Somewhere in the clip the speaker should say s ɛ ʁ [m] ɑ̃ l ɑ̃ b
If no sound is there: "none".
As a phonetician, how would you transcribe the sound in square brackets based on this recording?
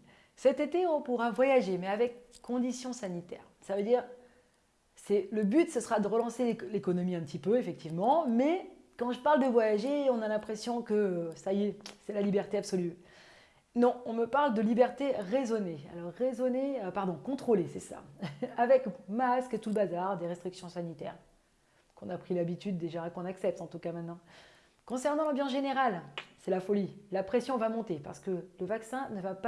n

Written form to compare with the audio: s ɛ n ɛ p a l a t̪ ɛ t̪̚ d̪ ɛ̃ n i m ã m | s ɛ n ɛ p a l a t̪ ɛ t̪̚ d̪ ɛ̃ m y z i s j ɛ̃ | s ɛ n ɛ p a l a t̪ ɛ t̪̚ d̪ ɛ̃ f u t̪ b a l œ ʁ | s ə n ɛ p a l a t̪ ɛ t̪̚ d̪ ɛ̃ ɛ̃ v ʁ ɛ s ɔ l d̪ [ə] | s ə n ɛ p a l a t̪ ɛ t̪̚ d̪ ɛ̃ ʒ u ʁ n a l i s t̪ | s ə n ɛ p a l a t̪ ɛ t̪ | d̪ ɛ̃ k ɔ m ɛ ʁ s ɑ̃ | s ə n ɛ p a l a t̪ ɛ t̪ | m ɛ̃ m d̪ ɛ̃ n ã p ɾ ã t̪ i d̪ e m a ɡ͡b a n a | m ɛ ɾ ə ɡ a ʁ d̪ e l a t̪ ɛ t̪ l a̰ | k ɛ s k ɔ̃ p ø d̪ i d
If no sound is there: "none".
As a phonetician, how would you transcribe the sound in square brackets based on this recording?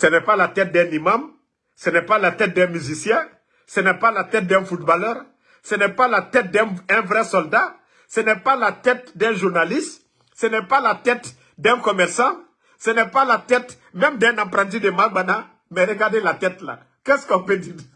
a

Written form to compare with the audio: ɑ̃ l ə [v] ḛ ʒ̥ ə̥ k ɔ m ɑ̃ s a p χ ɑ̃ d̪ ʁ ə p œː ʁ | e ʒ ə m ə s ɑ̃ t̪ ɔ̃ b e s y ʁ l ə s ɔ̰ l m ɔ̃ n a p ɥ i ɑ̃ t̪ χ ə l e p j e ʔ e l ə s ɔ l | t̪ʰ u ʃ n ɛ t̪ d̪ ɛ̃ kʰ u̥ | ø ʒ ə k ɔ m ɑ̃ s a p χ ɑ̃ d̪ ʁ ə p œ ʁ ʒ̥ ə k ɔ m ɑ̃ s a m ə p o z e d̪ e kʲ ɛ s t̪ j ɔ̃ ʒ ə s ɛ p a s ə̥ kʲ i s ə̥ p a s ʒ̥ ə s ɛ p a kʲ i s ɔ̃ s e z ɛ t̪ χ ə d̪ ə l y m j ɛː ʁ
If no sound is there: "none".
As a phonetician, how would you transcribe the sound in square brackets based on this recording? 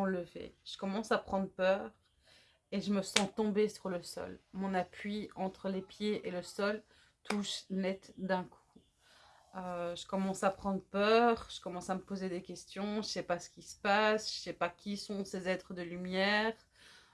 v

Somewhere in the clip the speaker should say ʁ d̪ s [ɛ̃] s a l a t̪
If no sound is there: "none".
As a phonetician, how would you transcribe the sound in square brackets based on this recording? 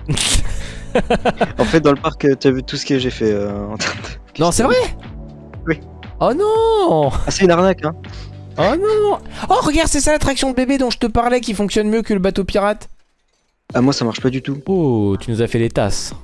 ɛ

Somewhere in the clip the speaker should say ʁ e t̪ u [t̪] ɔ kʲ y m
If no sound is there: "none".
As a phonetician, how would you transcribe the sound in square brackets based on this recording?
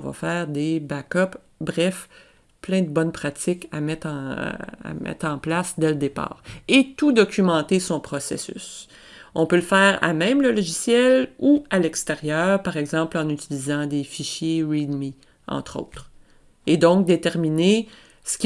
d̪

